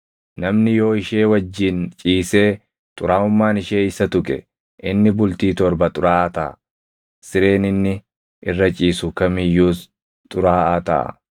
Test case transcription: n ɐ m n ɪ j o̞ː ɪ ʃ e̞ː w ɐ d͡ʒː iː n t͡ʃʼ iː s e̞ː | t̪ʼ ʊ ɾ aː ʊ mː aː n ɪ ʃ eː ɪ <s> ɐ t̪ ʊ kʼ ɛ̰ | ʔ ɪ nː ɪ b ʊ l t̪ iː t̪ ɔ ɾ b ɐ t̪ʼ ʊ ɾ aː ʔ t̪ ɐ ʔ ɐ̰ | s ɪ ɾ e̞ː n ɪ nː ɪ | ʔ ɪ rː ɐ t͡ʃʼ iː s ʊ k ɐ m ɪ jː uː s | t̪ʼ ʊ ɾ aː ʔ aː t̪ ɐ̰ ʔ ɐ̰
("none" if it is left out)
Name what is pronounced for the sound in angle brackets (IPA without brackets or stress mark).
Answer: s